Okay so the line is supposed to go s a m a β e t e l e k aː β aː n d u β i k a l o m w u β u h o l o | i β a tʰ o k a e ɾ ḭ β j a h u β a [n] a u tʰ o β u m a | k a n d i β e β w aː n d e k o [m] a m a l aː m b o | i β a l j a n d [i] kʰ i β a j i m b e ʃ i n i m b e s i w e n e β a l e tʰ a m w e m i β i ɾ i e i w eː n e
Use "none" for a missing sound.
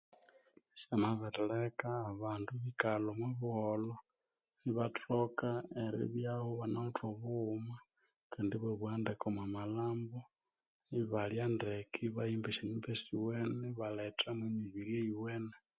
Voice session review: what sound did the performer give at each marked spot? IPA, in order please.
n, m, e

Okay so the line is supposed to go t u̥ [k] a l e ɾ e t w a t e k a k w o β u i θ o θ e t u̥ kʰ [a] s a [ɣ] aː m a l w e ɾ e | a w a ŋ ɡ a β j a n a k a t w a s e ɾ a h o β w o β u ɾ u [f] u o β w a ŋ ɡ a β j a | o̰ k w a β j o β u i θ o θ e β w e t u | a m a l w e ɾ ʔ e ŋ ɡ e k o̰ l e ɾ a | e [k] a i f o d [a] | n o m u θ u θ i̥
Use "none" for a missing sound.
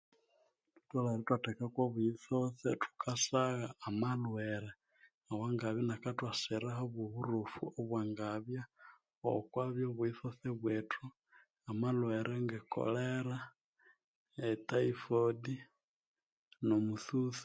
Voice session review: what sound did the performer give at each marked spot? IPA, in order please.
t, a, ɣ, f, t, i

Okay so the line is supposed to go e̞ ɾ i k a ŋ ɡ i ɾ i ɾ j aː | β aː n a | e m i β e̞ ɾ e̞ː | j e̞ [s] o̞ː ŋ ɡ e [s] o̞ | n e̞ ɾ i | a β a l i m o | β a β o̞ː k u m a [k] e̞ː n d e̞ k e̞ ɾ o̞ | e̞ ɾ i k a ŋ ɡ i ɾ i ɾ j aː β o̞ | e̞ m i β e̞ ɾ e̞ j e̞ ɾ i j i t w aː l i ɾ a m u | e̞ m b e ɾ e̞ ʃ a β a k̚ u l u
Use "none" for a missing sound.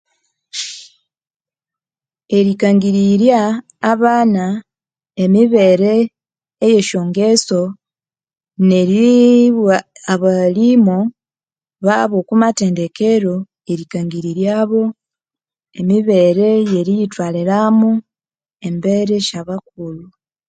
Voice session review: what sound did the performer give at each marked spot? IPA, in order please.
ʃ, s, t

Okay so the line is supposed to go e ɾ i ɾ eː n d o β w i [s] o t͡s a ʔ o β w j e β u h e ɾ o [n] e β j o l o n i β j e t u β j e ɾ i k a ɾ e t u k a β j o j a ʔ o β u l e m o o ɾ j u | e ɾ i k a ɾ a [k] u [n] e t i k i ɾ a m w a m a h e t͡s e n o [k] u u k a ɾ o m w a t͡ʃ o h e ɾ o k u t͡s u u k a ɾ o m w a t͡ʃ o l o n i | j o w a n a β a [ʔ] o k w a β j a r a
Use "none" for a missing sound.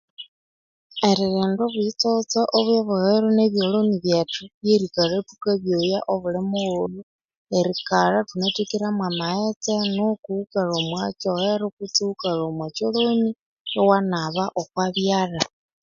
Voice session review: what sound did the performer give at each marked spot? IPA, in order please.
t͡s, n, t, n, k, ʔ

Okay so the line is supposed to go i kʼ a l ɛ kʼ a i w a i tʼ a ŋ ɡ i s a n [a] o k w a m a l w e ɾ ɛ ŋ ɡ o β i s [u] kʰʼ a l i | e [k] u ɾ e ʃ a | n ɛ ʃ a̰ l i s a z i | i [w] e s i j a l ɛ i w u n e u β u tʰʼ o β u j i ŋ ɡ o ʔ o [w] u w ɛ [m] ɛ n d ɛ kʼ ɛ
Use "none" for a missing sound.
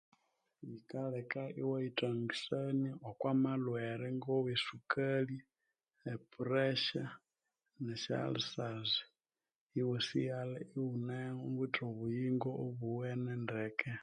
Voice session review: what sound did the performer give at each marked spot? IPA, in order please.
i, u, p, w, β, n

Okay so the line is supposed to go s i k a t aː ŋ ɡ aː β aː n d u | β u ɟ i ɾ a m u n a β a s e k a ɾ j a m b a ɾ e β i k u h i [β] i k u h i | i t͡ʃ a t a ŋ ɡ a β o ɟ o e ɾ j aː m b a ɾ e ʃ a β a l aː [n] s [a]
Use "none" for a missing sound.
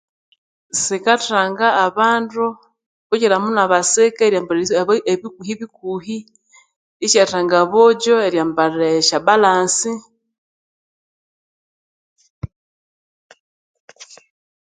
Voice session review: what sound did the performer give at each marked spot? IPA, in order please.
β, n, i

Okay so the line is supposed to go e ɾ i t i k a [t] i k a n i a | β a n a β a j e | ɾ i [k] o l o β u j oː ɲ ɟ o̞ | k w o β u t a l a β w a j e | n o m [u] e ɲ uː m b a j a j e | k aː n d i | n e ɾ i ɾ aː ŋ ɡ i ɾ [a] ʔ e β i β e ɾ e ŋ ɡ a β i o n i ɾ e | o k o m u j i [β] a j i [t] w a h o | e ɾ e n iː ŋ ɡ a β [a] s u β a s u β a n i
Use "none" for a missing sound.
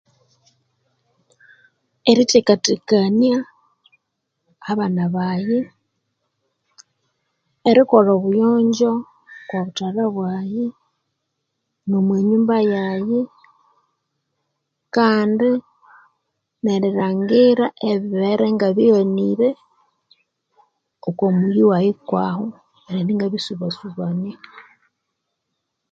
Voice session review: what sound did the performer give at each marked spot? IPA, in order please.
t, k, w, a, w, k, i

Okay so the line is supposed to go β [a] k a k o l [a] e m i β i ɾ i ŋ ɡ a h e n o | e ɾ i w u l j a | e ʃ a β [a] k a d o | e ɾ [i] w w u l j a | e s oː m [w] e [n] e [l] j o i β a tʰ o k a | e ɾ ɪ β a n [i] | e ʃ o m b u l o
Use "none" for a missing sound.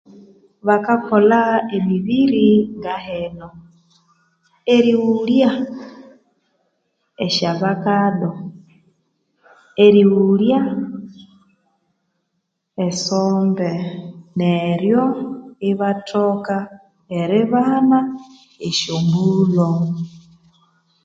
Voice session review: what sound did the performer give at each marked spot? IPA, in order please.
a, a, a, i, b, n, ɾ, a

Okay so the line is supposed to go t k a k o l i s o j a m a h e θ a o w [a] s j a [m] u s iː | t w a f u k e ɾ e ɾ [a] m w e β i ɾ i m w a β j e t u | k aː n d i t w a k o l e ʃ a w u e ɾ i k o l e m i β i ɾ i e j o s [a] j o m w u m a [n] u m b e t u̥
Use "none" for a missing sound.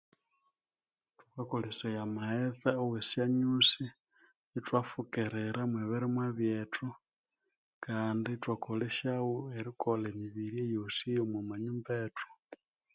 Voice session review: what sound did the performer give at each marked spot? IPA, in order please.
e, ɲ, a, i, ɲ

